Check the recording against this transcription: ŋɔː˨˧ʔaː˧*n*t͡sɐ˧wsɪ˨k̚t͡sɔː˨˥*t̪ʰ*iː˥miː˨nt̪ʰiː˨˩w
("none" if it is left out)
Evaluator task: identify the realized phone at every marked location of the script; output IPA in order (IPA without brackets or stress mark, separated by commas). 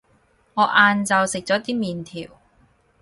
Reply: n, t̪